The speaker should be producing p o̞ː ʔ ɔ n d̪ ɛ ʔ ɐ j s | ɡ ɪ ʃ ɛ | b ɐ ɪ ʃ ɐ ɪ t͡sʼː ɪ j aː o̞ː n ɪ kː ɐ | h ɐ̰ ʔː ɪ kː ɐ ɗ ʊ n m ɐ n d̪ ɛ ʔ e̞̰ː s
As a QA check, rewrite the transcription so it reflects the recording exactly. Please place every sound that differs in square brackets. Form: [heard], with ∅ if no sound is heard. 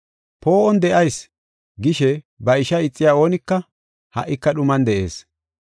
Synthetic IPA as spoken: p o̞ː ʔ ɔ n d̪ ɛ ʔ ɐ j s | ɡ ɪ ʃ ɛ | b ɐ ɪ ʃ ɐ ɪ t͡sʼː ɪ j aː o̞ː n ɪ kː ɐ | h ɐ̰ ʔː ɪ kː ɐ ɗ ʊ [∅] m ɐ n d̪ ɛ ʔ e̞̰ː s